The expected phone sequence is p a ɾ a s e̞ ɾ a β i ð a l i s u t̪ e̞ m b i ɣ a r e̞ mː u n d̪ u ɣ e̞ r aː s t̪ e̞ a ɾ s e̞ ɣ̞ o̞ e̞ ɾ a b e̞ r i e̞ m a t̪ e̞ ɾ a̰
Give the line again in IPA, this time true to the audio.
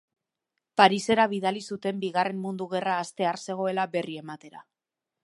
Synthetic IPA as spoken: p a ɾ i s e̞ ɾ a β i ð a l i s u t̪ e̞ m b i ɣ a r e̞ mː u n d̪ u ɣ e̞ r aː s t̪ e̞ a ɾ s e̞ ɣ̞ o̞ e̞ l a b e̞ r i e̞ m a t̪ e̞ ɾ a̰